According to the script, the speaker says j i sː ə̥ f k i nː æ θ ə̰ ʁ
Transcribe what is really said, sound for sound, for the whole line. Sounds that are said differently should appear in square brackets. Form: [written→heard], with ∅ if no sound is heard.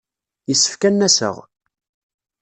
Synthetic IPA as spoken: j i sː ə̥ f k [i→æ] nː æ [θ→s] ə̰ ʁ